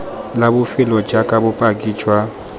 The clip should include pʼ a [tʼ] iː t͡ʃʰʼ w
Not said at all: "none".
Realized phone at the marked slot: kʼ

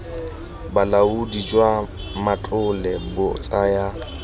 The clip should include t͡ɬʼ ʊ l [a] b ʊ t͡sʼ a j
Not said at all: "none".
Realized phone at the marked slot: ɛ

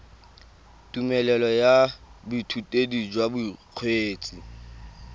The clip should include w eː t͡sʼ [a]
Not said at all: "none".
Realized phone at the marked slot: i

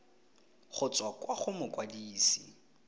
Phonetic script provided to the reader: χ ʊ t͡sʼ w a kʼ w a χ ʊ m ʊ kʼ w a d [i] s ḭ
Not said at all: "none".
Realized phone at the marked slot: iː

